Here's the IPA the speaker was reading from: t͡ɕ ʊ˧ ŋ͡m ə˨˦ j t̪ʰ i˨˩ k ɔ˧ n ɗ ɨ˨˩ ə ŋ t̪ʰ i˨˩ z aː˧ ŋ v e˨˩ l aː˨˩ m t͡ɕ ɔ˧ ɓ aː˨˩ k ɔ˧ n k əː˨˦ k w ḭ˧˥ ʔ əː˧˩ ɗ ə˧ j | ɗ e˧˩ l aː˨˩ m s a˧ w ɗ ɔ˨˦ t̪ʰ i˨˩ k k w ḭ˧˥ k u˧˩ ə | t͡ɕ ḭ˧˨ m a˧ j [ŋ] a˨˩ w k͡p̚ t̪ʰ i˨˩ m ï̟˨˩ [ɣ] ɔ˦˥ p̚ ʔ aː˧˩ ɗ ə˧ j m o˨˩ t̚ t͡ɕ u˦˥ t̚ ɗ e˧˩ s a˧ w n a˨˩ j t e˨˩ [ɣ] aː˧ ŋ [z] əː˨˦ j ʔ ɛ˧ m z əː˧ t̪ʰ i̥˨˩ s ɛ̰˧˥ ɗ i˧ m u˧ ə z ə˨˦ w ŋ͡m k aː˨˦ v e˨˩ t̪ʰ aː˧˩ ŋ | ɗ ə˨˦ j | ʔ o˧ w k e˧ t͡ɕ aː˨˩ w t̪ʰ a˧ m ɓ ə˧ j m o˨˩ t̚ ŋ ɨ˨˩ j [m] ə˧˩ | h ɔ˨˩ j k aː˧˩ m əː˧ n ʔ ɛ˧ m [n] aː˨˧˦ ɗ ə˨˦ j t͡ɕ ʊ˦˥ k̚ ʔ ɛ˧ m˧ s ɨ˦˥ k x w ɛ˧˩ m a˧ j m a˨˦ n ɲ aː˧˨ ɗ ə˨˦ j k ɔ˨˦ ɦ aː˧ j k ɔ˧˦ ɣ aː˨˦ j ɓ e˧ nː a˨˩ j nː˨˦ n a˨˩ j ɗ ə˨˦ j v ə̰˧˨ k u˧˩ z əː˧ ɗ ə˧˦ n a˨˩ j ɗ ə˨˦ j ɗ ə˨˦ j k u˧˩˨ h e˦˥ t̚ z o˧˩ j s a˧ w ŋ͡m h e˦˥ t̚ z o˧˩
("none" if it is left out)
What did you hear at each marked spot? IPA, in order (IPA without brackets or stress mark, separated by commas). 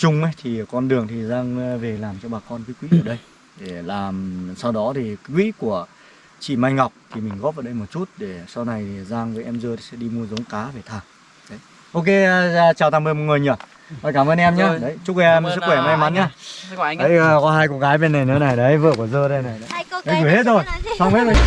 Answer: ŋ, ɣ, z, v, ɲ, ɲ